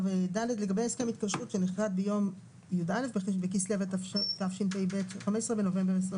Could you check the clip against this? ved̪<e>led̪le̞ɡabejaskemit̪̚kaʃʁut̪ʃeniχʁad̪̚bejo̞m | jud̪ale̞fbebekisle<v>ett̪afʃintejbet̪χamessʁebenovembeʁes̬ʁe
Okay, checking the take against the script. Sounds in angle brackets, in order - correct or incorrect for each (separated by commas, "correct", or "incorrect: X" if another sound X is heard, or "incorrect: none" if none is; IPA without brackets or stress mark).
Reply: incorrect: a, correct